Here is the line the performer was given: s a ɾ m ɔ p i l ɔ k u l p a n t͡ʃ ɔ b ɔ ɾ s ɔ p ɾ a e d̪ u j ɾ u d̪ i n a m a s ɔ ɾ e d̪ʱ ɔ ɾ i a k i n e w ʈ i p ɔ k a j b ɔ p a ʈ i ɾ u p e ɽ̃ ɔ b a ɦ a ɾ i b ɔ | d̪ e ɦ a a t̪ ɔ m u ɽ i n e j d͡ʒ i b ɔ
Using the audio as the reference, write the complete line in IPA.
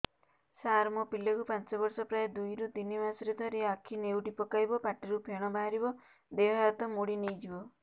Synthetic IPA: s a ɾ m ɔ p i l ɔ k u p a n t͡ʃ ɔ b ɔ ɾ s ɔ p ɾ a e d̪ u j ɾ u d̪ i n i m a s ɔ ɾ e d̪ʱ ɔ ɾ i a kʰ i n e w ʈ i p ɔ k a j b ɔ p a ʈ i ɾ u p e ɽ̃ ɔ b a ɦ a ɾ i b ɔ | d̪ e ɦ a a t̪ ɔ m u ɽ i n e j d͡ʒ i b ɔ